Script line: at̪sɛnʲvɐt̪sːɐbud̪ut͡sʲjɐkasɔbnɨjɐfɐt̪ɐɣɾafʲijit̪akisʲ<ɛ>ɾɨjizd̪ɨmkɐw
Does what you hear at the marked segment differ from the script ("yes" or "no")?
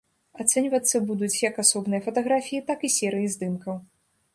no